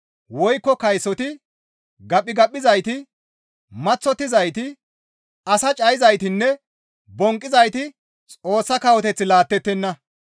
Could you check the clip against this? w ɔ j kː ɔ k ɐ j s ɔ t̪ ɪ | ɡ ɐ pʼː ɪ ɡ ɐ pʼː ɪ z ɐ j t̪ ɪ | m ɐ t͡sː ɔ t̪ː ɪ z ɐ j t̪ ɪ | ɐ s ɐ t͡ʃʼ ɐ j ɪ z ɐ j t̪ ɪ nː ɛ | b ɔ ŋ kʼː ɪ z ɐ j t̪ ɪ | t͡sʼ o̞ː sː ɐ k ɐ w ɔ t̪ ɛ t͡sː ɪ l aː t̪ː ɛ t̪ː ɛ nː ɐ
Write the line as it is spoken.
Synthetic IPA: w ɔ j kː ɔ k ɐ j s ɔ t̪ ɪ | ɡ ɐ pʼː ɪ ɡ ɐ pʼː ɪ z ɐ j t̪ ɪ | m ɐ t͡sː ɔ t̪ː ɪ z ɐ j t̪ ɪ | ɐ s ɐ t͡ʃʼ ɐ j ɪ z ɐ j t̪ ɪ nː ɛ | b ɔ ŋ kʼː ɪ z ɐ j t̪ ɪ | t͡sʼ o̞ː sː ɐ k ɐ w ɔ t̪ ɛ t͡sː ɪ l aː t̪ː ɛ t̪ː ɛ nː ɐ